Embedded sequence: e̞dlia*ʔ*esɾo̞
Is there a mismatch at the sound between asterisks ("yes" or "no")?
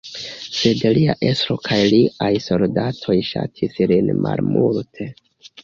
no